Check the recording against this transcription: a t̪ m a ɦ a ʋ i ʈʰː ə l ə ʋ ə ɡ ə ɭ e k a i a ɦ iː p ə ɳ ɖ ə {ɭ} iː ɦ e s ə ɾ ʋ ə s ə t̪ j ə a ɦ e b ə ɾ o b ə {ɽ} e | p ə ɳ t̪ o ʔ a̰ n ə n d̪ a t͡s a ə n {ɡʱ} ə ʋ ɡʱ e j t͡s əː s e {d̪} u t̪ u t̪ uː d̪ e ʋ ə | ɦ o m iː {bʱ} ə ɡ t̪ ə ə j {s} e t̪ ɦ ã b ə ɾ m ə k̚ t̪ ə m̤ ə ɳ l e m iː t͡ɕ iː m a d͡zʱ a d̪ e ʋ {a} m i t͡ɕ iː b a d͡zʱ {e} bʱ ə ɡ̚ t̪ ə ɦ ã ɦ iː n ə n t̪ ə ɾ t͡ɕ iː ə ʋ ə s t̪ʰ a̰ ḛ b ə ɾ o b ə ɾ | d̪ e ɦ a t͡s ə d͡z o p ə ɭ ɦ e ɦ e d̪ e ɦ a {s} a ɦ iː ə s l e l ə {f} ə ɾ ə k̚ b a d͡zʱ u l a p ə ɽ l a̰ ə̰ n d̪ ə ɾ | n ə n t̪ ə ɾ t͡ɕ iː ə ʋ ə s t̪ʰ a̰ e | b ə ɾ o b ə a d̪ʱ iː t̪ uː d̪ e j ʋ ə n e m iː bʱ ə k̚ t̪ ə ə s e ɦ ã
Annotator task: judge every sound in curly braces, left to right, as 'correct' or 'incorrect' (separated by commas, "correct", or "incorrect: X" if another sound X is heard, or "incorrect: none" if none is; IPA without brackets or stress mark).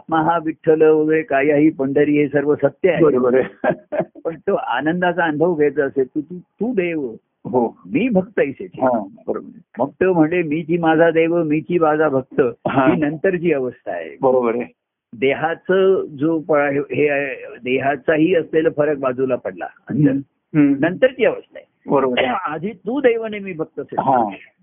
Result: incorrect: ɾ, incorrect: ɾ, incorrect: bʱ, incorrect: t̪, correct, correct, incorrect: ə, incorrect: a, incorrect: t͡s, correct